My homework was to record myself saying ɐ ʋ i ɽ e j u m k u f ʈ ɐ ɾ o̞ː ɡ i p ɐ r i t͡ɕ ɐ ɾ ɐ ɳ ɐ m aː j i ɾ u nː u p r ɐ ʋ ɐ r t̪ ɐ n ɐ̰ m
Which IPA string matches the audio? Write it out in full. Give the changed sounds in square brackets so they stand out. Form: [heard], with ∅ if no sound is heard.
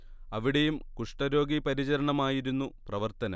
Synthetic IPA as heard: ɐ ʋ i ɽ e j u m k u [ʂ] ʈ ɐ ɾ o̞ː ɡ i p ɐ [ɾ] i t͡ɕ ɐ ɾ ɐ ɳ ɐ m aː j i ɾ u nː u p r ɐ ʋ ɐ r t̪ ɐ n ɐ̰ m